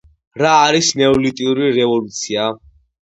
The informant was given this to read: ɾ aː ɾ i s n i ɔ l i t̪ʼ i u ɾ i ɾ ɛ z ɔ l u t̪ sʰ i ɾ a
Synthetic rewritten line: ɾ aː ɾ i s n ɛ ɔ l i t̪ʼ i u ɾ i ɾ ɛ v ɔ l u t̪ sʰ i a

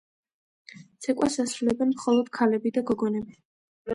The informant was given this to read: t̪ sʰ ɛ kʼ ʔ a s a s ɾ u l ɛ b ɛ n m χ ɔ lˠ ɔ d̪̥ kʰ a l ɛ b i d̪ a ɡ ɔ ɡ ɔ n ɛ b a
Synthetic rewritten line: t̪ sʰ ɛ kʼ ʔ a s a s ɾ u l ɛ b ɛ n m χ ɔ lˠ ɔ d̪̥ kʰ a l ɛ b i d̪ a ɡ ɔ ɡ ɔ n ɛ b i

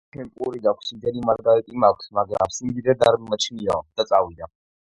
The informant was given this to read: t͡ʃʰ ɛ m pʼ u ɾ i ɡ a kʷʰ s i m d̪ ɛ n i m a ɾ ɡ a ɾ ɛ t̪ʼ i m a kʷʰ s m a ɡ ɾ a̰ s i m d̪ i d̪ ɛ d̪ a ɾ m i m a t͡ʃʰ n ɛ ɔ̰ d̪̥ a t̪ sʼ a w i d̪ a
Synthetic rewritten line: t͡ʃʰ ɛ m pʼ u ɾ i ɡ a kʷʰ s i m d̪ ɛ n i m a ɾ ɡ a ɾ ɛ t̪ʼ i m a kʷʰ s m a ɡ ɾ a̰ s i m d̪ i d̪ ɛ d̪ a ɾ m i m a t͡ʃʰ n i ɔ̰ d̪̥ a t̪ sʼ a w i d̪ a

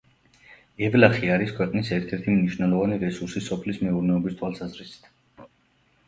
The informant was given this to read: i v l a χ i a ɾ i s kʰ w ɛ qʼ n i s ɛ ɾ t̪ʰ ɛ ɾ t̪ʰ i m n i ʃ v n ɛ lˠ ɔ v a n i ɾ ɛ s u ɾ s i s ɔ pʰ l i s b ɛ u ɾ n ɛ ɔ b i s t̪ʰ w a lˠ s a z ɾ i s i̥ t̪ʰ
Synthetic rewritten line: ɛ v l a χ i a ɾ i s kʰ w ɛ qʼ n i s ɛ ɾ t̪ʰ ɛ ɾ t̪ʰ i m n i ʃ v n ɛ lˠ ɔ v a n i ɾ ɛ s u ɾ s i s ɔ pʰ l i s m ɛ u ɾ n ɛ ɔ b i s t̪ʰ w a lˠ s a z ɾ i s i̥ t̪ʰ

